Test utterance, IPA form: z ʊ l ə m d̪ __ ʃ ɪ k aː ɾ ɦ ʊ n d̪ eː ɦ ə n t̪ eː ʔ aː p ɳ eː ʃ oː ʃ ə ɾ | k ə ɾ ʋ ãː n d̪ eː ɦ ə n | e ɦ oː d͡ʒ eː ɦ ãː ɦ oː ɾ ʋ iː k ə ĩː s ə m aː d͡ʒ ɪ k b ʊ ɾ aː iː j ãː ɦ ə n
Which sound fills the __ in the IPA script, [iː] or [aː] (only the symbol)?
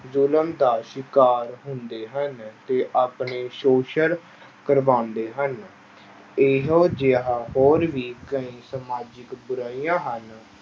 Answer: aː